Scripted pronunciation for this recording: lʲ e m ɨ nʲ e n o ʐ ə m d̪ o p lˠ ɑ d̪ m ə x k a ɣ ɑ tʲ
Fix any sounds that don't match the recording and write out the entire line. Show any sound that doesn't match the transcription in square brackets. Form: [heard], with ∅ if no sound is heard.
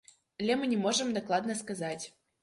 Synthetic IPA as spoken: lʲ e m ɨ nʲ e [m] o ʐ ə m d̪ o [k] lˠ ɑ d̪ [n] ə [s] k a [z] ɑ tʲ